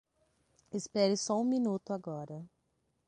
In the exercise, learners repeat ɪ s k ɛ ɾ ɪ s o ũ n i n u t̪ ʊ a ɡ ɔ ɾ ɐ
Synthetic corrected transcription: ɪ s p ɛ ɾ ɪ s ɔ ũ m i n u t̪ ʊ a ɡ ɔ ɾ ɐ

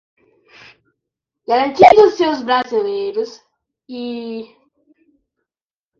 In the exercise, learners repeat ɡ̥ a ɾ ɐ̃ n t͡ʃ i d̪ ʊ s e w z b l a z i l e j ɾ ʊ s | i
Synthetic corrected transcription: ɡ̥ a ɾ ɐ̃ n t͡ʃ i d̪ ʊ s e w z b ɾ a z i l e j ɾ ʊ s | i

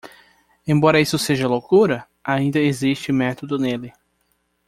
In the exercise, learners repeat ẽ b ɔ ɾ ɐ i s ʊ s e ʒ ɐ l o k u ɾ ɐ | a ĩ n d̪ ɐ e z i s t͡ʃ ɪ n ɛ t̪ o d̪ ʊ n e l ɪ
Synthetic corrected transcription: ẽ b ɔ ɾ ɐ i s ʊ s e ʒ ɐ l o k u ɾ ɐ | a ĩ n d̪ ɐ e z i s t͡ʃ ɪ m ɛ t̪ o d̪ ʊ n e l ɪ

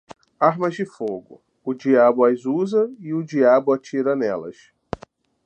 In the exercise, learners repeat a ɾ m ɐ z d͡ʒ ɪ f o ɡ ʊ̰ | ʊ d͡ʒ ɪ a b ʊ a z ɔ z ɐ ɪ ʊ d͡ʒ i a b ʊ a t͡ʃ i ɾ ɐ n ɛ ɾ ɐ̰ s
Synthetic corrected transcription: a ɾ m ɐ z d͡ʒ ɪ f o ɡ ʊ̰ | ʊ d͡ʒ i a b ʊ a z u z ɐ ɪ ʊ d͡ʒ i a b ʊ a t͡ʃ i ɾ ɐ n ɛ l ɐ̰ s

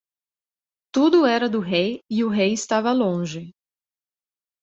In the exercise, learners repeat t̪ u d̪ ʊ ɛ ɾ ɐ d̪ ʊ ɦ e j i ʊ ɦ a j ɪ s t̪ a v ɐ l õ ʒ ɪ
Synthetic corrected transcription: t̪ u d̪ ʊ ɛ ɾ ɐ d̪ ʊ ɦ e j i ʊ ɦ e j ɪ s t̪ a v ɐ l õ ʒ ɪ

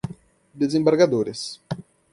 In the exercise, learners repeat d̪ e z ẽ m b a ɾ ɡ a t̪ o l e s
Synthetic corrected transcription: d̪ e z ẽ m b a ɾ ɡ a d̪ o ɾ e s

